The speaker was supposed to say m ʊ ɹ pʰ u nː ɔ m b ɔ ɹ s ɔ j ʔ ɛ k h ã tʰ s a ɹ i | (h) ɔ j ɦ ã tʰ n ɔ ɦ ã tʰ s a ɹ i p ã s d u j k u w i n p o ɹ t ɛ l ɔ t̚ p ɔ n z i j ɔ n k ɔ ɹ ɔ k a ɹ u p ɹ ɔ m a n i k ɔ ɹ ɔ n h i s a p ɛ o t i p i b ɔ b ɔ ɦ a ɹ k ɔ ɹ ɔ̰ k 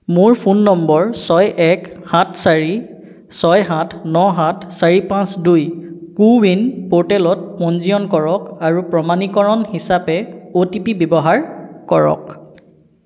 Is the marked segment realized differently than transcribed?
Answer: yes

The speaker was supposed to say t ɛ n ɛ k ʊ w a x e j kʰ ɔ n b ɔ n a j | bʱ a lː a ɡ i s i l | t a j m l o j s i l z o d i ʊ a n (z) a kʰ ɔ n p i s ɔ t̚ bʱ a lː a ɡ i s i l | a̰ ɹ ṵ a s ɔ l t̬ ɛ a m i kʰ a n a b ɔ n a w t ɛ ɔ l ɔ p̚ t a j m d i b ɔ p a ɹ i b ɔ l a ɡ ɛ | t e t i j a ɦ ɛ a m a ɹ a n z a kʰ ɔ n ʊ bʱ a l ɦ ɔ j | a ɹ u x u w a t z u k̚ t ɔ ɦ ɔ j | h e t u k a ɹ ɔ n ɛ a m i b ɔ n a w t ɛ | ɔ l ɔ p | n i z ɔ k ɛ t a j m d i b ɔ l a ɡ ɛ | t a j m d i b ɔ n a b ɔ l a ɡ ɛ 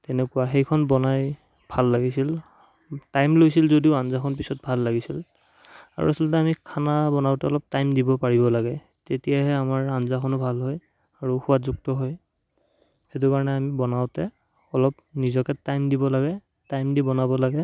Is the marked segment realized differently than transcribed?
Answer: no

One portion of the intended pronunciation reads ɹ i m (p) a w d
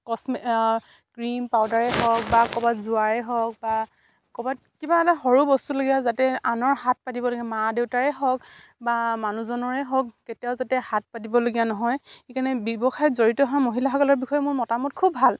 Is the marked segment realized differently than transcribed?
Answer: no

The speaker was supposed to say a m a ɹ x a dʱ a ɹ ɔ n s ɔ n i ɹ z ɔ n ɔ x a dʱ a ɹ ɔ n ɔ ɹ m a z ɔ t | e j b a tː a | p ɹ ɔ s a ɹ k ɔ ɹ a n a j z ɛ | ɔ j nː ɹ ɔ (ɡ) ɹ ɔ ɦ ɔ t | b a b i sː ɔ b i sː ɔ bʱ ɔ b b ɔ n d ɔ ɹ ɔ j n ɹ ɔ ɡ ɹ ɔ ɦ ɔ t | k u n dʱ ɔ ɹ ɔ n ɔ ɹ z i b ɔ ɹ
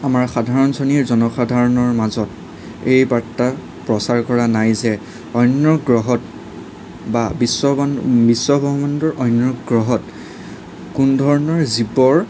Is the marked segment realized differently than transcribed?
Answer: no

